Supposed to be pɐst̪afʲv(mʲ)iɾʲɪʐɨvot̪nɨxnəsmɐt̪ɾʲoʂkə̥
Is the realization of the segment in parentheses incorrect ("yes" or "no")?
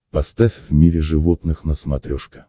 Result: no